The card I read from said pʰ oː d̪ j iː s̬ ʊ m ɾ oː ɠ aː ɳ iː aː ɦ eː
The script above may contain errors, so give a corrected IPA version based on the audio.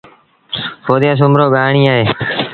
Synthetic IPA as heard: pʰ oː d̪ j aː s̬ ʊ m ɾ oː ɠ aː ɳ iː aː ɦ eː